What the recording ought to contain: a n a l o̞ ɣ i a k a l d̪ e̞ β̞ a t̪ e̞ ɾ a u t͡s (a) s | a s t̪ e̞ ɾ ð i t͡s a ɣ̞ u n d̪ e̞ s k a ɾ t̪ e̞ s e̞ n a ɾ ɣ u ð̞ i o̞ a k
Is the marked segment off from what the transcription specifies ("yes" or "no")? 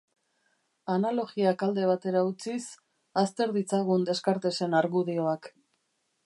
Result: yes